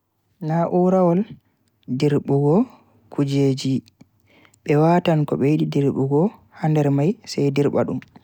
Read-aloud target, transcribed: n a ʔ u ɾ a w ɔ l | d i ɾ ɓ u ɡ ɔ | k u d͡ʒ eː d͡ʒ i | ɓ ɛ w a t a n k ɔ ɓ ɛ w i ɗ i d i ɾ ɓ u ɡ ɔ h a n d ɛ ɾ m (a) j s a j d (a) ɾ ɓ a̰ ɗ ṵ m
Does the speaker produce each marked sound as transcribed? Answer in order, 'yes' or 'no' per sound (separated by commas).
yes, no